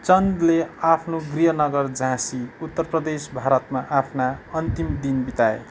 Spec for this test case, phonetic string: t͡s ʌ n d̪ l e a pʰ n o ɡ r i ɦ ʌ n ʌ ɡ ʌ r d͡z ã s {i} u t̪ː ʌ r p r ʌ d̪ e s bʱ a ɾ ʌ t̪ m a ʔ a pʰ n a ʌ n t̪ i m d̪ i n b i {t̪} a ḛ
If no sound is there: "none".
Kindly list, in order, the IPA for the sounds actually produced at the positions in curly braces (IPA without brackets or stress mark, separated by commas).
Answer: i, t̪